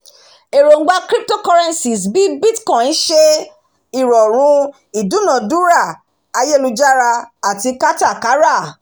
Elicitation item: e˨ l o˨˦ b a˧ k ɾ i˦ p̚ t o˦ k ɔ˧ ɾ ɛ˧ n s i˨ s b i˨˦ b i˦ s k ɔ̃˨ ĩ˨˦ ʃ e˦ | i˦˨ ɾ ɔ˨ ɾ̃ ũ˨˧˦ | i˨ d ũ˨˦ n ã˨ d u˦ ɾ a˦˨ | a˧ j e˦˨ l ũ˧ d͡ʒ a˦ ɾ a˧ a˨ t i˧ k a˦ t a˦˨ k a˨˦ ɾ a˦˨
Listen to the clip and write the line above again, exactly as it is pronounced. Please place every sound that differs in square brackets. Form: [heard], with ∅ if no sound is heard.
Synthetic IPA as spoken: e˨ [ɾ] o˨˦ [ɡ͡b] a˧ k ɾ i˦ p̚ t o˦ k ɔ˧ ɾ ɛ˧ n s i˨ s b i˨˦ b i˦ [t] k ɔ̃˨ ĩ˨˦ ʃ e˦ | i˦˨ ɾ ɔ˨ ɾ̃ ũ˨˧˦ | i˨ d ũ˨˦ n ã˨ d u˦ ɾ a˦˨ | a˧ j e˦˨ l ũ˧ d͡ʒ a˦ ɾ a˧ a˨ t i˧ k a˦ t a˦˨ k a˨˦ ɾ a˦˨